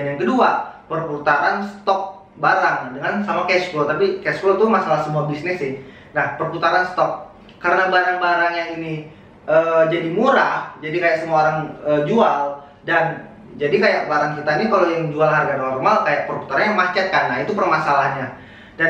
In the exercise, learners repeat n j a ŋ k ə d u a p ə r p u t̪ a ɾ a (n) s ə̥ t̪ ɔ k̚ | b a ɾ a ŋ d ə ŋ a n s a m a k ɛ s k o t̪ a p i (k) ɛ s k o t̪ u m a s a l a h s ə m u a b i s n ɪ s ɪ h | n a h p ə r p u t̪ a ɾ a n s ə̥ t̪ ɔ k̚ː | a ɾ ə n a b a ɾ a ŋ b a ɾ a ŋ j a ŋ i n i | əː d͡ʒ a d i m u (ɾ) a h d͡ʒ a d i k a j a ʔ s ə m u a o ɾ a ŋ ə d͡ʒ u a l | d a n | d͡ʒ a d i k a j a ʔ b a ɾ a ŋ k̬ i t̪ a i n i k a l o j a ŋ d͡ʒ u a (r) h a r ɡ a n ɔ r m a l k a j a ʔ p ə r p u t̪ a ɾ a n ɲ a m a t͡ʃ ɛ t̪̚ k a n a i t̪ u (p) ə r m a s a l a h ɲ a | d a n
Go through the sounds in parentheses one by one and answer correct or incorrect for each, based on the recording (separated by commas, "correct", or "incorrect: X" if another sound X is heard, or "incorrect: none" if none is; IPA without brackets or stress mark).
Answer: correct, correct, correct, incorrect: l, correct